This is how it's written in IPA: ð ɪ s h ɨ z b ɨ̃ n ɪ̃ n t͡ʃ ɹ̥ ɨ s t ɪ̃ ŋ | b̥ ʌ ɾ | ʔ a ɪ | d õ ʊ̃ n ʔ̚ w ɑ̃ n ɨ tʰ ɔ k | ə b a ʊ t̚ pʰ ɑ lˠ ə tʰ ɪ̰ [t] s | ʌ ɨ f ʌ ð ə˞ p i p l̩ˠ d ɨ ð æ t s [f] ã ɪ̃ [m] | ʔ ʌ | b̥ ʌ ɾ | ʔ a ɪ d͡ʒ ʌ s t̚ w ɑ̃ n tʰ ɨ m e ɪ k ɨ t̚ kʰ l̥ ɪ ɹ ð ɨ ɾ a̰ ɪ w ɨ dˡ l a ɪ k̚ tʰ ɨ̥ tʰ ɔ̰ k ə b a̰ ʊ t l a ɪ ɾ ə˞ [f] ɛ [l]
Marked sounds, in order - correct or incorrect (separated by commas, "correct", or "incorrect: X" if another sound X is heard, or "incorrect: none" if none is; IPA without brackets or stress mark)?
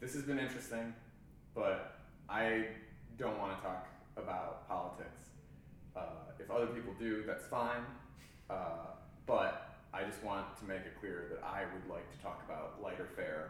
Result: incorrect: k, correct, incorrect: n, correct, incorrect: ɹ